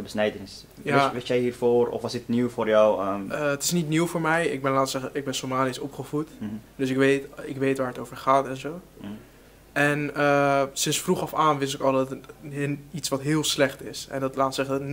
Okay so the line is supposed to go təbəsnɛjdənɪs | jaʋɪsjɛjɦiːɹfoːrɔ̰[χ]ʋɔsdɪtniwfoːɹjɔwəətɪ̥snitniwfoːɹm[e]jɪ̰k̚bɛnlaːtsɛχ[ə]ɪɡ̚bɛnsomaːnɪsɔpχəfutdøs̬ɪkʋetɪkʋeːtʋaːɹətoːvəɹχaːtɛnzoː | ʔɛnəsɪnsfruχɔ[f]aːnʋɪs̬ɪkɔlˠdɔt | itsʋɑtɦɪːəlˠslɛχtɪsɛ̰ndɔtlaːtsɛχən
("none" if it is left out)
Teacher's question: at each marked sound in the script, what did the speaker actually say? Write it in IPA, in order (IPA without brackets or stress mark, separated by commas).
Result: f, ɛ, ə, f